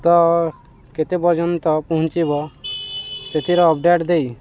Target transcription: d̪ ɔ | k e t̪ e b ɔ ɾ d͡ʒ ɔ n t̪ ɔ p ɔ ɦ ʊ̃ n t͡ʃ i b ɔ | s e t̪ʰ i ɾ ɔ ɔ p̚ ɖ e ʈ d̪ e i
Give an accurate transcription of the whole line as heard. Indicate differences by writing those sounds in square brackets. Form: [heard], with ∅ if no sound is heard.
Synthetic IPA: [t̪] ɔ | k e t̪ e b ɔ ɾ d͡ʒ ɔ n t̪ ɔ p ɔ ɦ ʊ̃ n t͡ʃ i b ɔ | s e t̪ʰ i ɾ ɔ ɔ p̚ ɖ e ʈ d̪ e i